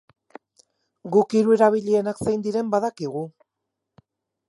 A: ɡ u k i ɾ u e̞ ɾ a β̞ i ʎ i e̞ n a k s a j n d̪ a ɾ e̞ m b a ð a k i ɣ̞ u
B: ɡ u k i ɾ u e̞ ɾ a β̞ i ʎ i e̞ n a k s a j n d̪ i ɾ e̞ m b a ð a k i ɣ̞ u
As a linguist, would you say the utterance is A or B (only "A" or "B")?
B